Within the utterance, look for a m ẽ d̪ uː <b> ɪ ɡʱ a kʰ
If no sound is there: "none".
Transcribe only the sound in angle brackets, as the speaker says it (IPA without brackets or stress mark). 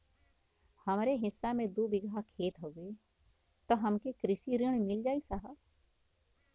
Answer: b